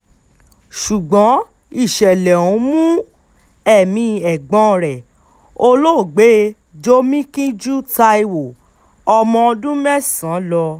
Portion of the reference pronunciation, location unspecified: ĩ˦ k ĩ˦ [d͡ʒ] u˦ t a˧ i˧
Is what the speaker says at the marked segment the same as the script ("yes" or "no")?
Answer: yes